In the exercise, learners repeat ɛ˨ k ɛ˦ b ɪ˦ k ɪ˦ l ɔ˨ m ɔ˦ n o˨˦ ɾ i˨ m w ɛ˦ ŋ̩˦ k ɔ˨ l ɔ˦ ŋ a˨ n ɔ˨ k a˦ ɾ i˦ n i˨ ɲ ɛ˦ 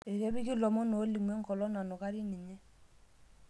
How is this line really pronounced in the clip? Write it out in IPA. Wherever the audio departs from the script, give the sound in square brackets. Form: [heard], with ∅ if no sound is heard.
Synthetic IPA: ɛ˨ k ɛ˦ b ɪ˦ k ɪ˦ l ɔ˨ m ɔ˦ n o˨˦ [l] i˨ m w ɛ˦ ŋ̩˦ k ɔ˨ l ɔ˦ [n] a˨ n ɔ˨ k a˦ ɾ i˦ n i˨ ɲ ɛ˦